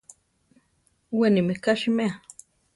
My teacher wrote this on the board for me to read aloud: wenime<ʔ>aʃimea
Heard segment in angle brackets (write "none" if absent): k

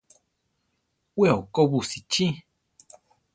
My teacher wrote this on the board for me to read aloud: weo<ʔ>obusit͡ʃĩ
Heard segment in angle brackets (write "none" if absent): k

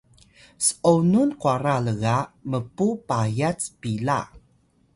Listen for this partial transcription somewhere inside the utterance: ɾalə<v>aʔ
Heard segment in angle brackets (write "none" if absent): ɣ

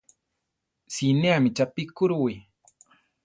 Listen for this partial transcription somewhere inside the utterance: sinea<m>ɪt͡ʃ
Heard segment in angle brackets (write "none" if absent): m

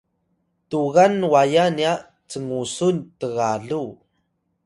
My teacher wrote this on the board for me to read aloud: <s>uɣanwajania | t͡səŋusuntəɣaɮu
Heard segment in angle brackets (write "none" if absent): t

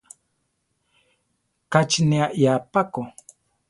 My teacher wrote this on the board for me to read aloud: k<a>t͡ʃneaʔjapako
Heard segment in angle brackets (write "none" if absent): a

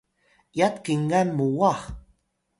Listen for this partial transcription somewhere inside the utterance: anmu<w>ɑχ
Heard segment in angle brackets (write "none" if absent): w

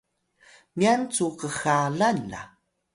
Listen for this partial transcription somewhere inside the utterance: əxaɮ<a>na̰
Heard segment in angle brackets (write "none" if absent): a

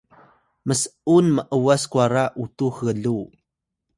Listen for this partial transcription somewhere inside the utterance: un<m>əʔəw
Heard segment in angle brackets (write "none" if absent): m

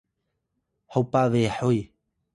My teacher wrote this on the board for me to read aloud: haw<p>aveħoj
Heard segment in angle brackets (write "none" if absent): p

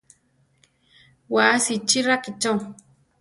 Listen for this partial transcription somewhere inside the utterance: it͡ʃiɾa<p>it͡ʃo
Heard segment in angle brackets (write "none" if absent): k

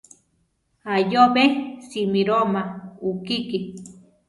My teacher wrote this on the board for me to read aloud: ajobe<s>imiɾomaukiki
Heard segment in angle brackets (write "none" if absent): s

